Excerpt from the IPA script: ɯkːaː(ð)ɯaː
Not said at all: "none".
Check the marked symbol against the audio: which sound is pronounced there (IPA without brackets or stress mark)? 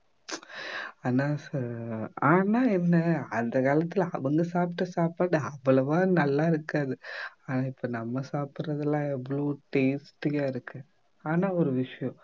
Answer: ð